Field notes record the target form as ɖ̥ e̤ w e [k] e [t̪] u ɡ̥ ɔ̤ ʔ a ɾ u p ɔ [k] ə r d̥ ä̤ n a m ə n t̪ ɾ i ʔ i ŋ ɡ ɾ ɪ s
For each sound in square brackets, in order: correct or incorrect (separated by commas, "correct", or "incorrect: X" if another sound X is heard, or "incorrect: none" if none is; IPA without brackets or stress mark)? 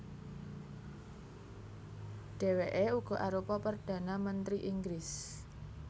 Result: incorrect: ʔ, incorrect: none, incorrect: p